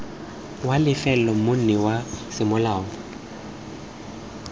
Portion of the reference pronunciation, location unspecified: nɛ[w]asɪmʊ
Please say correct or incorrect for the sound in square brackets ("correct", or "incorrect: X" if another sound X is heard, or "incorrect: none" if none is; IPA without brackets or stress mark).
correct